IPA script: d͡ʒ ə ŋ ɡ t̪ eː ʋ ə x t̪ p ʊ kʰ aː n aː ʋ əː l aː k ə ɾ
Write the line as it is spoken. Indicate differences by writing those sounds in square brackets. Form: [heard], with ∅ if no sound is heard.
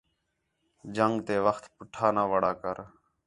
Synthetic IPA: d͡ʒ ə ŋ ɡ t̪ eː ʋ ə x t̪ p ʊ [ʈʰ] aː n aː ʋ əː [ɽ] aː k ə ɾ